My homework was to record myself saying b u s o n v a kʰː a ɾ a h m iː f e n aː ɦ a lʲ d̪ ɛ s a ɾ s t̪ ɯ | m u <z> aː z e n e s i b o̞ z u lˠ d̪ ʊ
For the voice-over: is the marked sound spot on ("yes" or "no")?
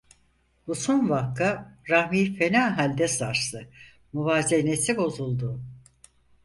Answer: no